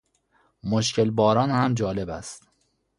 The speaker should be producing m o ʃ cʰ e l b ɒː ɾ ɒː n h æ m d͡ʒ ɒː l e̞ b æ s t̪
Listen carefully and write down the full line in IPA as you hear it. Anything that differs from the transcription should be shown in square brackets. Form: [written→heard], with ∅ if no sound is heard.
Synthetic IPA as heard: m o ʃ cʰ e l b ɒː ɾ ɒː n h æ m d͡ʒ ɒː l e̞ b æ s t̪